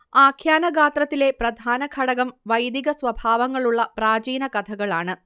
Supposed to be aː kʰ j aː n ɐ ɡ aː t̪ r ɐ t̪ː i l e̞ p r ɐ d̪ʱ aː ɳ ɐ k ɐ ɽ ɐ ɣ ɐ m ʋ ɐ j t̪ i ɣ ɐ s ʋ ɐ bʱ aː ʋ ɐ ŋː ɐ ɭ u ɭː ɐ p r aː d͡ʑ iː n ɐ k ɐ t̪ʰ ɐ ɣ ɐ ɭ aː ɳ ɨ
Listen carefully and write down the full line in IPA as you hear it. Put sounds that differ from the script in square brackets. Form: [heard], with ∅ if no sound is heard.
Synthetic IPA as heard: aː kʰ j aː n ɐ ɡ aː t̪ r ɐ t̪ː i l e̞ p r ɐ d̪ʱ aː [n] ɐ [kʰ] ɐ ɽ ɐ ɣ ɐ m ʋ ɐ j [d̪] i ɣ ɐ s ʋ ɐ bʱ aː ʋ ɐ ŋː ɐ ɭ u ɭː ɐ p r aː d͡ʑ iː n ɐ k ɐ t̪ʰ ɐ ɣ ɐ ɭ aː ɳ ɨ